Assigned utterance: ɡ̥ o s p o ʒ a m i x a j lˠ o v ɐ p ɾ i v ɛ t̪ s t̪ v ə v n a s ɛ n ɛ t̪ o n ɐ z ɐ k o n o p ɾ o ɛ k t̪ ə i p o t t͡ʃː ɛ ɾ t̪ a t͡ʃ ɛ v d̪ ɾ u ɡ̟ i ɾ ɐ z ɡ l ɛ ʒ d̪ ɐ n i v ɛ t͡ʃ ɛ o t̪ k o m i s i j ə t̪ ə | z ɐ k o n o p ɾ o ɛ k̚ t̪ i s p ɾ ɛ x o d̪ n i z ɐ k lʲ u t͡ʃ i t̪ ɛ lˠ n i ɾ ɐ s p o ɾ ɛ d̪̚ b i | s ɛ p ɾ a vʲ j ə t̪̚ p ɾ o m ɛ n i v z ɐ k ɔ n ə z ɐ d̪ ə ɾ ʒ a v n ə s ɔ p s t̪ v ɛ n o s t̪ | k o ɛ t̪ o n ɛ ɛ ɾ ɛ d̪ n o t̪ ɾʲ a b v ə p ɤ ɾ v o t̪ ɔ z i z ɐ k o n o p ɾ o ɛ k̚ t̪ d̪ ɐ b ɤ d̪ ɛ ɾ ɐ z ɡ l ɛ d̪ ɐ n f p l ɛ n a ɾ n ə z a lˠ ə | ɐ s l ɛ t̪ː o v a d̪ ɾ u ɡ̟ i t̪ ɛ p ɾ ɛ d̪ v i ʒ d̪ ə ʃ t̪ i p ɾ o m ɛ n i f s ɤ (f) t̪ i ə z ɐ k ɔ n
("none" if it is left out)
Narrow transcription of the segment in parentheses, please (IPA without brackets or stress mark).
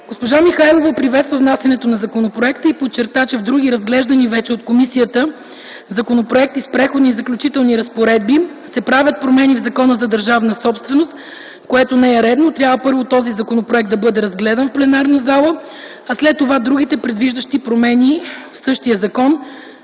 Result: ʃ